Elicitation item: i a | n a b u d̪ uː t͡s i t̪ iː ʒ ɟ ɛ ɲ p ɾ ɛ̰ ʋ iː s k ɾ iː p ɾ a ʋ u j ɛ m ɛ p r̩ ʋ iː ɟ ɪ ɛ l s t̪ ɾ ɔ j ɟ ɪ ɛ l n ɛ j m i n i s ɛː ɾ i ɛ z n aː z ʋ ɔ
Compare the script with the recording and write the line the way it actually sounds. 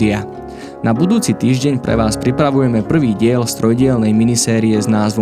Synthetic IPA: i a | n a b u d̪ uː t͡s i t̪ iː ʒ ɟ ɛ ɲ p ɾ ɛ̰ ʋ aː s p ɾ i p ɾ a ʋ u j ɛ m ɛ p r̩ ʋ iː ɟ ɪ ɛ l s t̪ ɾ ɔ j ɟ ɪ ɛ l n ɛ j m i n i s ɛː ɾ i ɛ z n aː z ʋ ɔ